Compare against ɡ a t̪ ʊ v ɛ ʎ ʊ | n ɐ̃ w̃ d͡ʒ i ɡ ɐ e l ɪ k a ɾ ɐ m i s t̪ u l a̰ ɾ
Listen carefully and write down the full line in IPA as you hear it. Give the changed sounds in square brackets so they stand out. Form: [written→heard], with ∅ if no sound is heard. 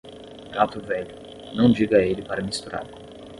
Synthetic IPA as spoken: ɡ a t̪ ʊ v ɛ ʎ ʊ | n ɐ̃ w̃ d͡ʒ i ɡ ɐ e l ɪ [k→p] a ɾ ɐ m i s t̪ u [l→ɾ] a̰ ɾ